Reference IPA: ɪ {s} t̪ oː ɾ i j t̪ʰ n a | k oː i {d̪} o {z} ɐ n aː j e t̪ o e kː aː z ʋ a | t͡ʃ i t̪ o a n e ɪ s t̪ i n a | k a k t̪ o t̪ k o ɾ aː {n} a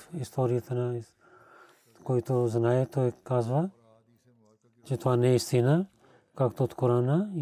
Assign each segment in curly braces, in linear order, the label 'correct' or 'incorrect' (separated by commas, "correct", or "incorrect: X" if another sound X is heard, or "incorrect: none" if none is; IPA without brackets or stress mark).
correct, incorrect: t̪, correct, correct